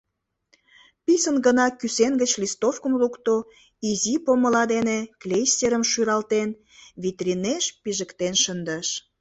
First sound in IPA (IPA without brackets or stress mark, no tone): p